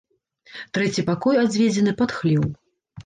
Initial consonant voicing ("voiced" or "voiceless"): voiceless